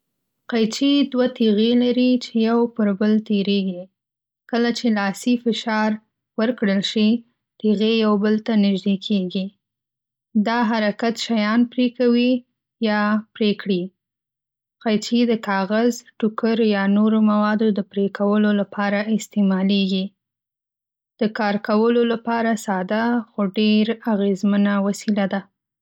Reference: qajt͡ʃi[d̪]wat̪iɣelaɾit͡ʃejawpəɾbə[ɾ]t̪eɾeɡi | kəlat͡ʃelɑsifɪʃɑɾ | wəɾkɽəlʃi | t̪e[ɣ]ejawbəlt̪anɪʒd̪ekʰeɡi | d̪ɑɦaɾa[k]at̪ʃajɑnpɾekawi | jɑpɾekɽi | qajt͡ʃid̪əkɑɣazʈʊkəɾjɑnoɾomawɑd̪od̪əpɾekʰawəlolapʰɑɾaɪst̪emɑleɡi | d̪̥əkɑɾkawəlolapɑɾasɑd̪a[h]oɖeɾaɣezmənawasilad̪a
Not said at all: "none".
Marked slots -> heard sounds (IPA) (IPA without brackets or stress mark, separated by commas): d̪, l, ɣ, k, x